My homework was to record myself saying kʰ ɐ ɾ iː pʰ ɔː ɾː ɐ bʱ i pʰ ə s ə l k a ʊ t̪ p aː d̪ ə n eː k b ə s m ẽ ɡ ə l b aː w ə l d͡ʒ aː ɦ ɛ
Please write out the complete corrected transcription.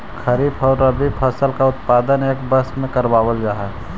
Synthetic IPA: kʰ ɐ ɾ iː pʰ ɔː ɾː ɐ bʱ i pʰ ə s ə l k a ʊ t̪ p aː d̪ ə n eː k b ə s m ẽ k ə ɾ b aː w ə l d͡ʒ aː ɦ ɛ